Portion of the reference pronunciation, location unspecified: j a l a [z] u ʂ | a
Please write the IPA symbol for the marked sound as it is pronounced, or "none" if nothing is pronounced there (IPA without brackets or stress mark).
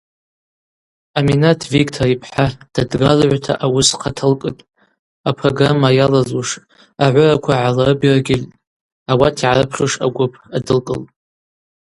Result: z